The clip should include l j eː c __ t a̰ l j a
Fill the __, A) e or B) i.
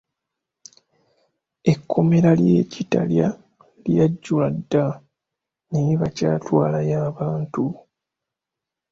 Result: B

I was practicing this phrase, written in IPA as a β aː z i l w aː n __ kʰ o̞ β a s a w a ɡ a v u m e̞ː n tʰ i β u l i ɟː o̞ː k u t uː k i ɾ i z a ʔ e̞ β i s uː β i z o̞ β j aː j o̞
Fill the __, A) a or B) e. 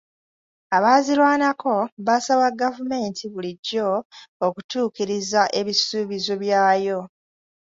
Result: A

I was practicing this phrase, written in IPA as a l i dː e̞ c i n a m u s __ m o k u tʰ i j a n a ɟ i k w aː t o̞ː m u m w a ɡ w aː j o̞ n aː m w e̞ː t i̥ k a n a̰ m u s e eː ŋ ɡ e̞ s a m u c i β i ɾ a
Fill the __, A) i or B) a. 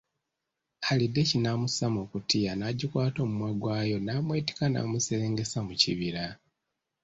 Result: B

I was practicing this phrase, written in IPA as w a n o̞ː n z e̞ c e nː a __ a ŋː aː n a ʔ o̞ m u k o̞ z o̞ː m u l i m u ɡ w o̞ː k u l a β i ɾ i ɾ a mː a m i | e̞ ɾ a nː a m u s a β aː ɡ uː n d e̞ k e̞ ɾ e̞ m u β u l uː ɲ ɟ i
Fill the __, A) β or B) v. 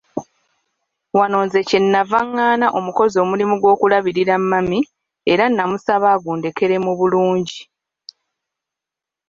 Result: B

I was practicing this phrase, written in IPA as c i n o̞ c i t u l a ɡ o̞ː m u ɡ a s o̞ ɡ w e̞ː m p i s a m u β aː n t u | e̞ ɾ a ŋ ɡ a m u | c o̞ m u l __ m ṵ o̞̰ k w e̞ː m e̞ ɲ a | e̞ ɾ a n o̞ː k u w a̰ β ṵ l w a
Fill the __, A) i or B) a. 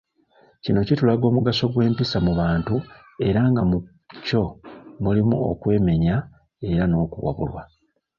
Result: A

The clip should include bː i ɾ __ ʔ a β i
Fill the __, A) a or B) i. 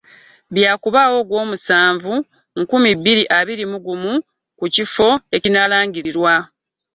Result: B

